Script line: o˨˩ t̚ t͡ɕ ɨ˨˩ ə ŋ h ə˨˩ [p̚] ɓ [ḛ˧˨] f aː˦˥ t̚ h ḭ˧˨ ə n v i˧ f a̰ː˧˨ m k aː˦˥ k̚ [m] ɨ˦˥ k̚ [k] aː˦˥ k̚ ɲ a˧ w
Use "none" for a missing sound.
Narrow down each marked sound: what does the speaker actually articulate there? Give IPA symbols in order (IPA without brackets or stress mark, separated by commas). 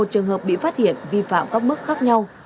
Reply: p̚, ḭ˧˨, m, x